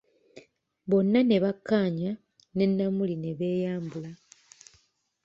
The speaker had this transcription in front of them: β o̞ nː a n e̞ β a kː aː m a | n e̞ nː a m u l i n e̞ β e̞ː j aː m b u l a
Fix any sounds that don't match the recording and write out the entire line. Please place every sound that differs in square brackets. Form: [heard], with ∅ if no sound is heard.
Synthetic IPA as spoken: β o̞ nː a n e̞ β a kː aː [ɲ] a | n e̞ nː a m u l i n e̞ β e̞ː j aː m b u l a